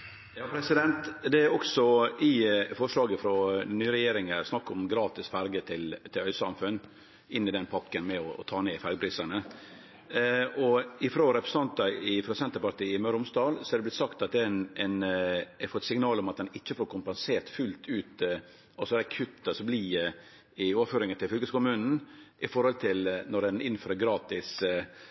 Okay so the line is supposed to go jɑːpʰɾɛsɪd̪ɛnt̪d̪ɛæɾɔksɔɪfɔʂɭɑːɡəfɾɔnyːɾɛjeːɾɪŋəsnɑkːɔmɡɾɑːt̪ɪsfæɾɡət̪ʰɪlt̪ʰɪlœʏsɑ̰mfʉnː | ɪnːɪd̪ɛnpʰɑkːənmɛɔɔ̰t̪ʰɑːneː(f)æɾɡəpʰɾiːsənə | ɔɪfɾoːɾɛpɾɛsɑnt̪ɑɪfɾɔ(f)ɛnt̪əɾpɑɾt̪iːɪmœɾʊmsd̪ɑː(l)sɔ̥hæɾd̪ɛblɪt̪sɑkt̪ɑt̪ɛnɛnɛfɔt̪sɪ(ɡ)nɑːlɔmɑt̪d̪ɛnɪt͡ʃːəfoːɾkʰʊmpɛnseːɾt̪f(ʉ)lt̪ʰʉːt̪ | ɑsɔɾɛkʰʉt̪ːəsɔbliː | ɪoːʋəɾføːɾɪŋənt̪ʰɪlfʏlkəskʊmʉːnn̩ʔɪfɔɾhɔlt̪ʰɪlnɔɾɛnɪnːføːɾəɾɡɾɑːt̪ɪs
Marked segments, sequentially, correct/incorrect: correct, incorrect, correct, incorrect, correct

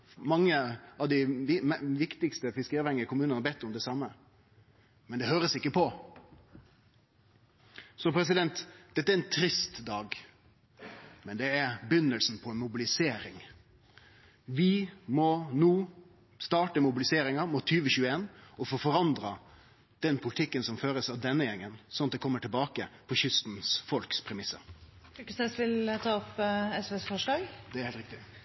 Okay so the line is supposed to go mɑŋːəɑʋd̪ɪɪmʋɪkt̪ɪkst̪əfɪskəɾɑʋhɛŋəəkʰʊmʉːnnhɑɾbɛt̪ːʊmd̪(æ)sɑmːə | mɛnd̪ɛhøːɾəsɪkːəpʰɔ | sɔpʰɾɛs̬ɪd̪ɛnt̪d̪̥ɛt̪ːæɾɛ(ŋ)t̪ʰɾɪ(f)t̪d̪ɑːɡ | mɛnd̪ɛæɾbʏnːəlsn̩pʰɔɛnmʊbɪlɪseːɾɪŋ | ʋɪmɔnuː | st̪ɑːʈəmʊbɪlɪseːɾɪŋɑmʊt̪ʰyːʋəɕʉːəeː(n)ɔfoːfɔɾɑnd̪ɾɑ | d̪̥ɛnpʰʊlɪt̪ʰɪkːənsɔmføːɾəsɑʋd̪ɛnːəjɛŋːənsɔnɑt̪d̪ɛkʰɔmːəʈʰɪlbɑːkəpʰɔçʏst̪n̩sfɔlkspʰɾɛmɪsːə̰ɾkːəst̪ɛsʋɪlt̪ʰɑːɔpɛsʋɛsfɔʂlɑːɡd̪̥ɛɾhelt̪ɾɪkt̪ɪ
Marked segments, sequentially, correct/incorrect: incorrect, incorrect, incorrect, correct

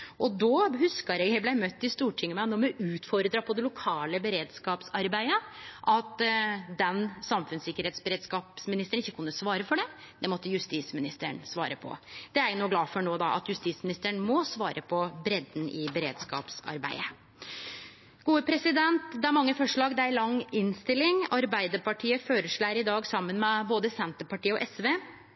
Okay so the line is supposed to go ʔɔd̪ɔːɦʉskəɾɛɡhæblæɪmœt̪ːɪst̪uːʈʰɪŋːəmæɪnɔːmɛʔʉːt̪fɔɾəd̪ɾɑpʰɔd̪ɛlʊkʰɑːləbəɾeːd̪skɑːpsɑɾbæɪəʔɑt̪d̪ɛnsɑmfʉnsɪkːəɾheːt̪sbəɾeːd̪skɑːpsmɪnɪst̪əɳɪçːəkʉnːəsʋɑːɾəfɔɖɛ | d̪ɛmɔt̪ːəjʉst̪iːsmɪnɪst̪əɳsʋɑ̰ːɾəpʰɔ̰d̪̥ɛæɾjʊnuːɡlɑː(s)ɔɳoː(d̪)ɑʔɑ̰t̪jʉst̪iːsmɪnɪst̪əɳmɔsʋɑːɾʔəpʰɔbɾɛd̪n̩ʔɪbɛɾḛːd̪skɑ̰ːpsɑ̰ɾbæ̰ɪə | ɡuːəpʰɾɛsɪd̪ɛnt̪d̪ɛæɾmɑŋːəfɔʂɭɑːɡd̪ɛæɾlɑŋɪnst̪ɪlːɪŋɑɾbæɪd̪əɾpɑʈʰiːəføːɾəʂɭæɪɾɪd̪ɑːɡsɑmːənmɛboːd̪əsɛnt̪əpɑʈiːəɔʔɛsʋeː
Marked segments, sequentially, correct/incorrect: incorrect, correct

